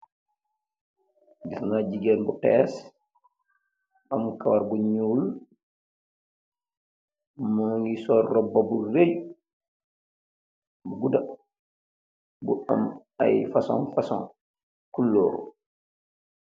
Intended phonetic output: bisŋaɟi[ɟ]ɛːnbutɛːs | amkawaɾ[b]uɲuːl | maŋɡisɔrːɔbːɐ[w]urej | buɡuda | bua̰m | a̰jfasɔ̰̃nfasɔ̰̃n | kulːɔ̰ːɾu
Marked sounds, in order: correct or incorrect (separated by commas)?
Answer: incorrect, correct, incorrect